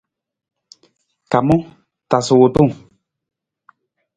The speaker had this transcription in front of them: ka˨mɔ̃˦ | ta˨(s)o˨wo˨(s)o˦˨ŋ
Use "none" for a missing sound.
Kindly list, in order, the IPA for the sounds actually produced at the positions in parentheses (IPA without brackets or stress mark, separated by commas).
s, t